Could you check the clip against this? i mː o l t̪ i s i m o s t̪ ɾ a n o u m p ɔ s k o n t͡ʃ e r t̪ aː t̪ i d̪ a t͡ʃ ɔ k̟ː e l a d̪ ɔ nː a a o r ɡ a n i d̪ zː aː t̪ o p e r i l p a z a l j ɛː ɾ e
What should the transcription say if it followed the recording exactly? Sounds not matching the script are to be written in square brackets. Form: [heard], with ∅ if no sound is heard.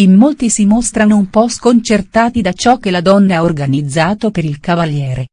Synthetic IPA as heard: i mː o l t̪ i s i m o s t̪ ɾ a n o u m p ɔ s k o n t͡ʃ e r t̪ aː t̪ i d̪ a t͡ʃ ɔ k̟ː e l a d̪ ɔ nː a a o r ɡ a n i d̪ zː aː t̪ o p e [ɾ] i l [k] a [v] a l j ɛː ɾ e